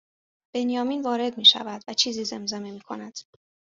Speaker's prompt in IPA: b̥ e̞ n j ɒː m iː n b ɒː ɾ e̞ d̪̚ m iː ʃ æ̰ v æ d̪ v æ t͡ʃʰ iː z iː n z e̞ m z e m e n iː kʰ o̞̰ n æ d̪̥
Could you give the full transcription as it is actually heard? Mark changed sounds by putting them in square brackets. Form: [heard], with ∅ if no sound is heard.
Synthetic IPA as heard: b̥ e̞ n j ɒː m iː n [v] ɒː ɾ e̞ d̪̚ m iː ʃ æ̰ v æ d̪ v æ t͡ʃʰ iː z iː [∅] z e̞ m z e m e [m] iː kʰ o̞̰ n æ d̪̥